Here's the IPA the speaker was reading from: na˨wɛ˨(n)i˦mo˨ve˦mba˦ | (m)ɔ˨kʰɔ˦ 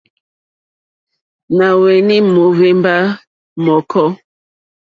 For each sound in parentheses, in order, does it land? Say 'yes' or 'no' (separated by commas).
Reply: yes, yes